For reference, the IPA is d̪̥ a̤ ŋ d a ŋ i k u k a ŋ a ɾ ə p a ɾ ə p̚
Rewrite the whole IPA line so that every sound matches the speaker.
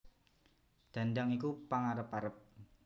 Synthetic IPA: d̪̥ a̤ n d a ŋ i k u p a ŋ a ɾ ə p a ɾ ə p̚